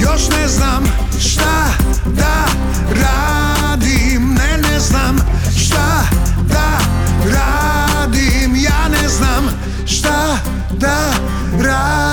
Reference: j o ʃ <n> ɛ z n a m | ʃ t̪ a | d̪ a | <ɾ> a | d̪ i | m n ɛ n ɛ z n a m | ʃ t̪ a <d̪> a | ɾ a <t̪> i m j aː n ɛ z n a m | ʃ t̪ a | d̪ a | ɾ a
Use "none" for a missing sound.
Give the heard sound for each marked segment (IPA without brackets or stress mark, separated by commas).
n, ɾ, d̪, d̪